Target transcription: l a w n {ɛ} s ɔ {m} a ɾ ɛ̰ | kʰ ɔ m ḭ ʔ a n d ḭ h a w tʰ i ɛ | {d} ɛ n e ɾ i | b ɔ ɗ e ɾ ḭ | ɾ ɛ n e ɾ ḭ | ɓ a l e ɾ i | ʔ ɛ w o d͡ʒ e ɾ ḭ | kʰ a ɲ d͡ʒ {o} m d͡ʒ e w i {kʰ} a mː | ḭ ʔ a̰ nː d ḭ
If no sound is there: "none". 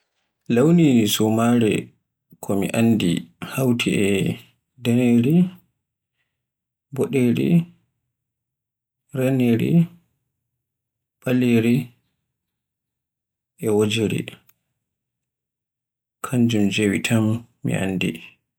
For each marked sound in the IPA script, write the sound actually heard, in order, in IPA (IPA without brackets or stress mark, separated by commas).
i, m, d, u, tʰ